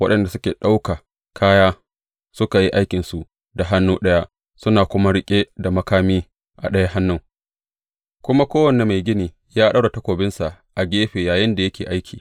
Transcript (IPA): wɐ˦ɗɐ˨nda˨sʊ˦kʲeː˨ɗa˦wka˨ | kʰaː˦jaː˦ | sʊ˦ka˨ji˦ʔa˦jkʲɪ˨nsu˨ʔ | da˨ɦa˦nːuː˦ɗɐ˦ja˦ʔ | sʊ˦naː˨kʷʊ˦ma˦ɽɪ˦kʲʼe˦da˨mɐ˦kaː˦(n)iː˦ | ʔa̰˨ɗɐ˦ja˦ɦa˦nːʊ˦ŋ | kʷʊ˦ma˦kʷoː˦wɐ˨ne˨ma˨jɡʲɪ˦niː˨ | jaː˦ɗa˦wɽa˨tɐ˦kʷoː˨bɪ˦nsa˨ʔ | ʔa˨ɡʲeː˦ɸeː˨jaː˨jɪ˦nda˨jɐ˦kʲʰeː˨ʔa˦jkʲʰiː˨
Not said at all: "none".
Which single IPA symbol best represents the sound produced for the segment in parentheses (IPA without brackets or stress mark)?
m